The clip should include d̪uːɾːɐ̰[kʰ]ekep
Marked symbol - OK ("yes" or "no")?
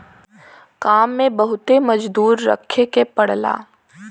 yes